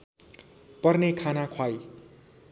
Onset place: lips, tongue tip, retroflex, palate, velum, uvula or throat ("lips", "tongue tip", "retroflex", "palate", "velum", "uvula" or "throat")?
lips